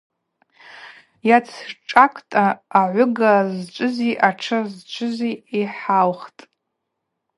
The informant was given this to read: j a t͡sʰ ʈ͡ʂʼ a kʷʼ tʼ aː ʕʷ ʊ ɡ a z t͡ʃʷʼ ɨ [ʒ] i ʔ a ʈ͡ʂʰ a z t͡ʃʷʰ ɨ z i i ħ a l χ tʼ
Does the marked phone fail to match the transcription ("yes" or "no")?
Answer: yes